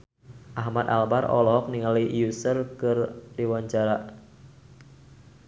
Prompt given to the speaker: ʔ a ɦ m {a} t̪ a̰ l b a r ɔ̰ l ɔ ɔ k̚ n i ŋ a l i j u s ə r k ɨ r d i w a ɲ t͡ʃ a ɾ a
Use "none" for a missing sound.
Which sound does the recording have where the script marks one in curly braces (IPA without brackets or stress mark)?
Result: a